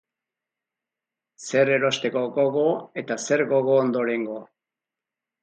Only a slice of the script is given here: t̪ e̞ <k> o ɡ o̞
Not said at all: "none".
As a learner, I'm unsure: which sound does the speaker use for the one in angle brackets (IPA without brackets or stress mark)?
k